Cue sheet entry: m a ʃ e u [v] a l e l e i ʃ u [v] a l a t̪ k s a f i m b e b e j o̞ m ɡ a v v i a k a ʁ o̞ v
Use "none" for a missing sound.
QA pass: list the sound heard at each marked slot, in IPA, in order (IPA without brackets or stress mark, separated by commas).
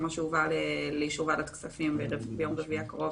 v, v